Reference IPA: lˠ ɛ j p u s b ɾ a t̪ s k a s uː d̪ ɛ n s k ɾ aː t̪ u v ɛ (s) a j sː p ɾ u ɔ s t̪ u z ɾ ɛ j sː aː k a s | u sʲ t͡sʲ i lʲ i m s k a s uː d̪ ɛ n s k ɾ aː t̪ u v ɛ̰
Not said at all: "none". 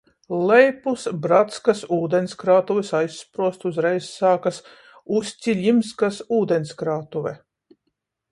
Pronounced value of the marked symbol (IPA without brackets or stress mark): s